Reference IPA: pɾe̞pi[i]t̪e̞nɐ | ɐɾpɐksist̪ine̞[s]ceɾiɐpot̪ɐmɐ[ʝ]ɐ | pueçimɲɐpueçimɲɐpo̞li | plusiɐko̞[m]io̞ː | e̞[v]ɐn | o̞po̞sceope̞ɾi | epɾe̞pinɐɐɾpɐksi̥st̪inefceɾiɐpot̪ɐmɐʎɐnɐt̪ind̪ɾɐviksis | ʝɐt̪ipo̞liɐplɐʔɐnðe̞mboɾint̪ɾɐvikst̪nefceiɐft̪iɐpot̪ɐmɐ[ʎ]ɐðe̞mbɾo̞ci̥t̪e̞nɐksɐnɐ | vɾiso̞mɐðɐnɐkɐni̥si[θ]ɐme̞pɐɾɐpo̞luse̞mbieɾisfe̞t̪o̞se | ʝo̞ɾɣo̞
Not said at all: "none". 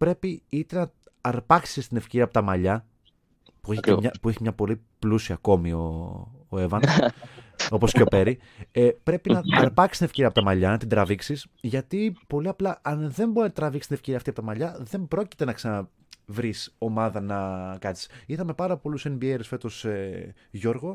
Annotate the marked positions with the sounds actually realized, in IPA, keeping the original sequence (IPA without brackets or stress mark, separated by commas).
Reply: i, f, ʎ, m, v, ʎ, θ